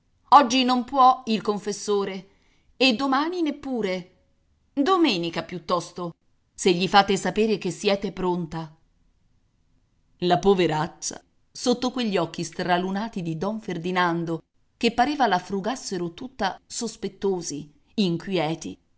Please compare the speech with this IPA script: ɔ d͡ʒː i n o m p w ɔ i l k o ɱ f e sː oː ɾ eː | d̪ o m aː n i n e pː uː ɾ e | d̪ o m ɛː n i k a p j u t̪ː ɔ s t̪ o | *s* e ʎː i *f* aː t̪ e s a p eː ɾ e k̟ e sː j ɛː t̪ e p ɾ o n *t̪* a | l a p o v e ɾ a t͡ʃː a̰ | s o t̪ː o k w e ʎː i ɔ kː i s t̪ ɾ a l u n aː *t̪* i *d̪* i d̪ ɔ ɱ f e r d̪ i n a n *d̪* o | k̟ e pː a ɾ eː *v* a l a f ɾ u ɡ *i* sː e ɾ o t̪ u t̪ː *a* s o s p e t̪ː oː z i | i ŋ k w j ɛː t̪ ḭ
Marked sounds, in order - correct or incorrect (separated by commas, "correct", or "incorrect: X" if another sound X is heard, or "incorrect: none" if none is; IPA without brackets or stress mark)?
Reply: correct, correct, correct, correct, correct, correct, correct, incorrect: a, correct